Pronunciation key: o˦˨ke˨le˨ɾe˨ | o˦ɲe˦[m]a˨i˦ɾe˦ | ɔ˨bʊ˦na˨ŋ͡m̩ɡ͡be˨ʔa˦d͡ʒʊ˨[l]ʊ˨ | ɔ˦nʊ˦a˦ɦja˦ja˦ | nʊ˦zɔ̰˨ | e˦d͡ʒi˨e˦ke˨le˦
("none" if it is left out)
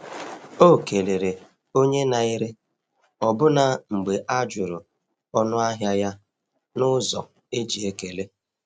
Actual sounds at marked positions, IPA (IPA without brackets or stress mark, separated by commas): n, ɾ